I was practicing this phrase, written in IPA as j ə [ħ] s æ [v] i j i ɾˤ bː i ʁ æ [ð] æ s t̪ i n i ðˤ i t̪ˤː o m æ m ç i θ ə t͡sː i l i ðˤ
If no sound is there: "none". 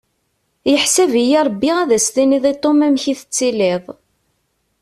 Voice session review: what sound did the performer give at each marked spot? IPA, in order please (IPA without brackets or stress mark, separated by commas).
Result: ħ, v, ð